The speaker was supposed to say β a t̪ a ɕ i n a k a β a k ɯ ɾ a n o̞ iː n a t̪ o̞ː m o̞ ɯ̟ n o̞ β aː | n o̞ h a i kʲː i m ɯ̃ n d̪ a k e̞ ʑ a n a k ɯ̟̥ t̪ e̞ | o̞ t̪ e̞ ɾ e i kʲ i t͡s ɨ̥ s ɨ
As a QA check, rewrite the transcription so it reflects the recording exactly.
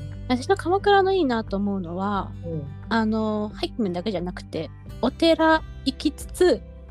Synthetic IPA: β a t̪ a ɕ i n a k a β a k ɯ ɾ a n o̞ iː n a t̪ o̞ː m o̞ ɯ̟ n o̞ β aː | n o̞ h a i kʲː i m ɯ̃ n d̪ a k e̞ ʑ a n a k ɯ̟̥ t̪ e̞ | o̞ t̪ e̞ ɾ a i kʲ i t͡s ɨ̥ t͡s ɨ